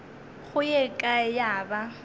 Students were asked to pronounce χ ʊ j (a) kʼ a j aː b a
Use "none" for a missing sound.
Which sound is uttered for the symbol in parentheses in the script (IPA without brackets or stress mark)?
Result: ɛ